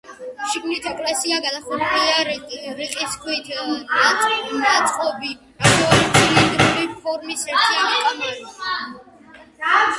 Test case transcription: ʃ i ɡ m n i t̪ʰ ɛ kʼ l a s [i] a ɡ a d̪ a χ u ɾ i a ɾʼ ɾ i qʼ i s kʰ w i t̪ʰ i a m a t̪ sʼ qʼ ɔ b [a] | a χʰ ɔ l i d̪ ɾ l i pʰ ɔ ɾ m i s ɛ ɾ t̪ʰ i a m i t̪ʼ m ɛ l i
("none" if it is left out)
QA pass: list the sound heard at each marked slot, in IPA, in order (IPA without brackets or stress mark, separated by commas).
i, i